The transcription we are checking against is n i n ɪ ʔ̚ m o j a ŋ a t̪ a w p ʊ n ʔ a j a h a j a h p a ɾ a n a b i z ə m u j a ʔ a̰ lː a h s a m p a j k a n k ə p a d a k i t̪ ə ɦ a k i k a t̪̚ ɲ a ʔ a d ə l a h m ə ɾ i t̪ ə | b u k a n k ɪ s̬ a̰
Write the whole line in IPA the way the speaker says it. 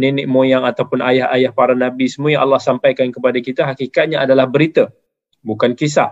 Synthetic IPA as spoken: n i n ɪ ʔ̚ m o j a ŋ a t̪ a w p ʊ n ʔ a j a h a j a h p a ɾ a n a b i s ə m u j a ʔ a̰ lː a h s a m p a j k a n k ə p a d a k i t̪ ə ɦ a k i k a t̪̚ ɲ a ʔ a d a l a h b ə ɾ i t̪ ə | b u k a n k i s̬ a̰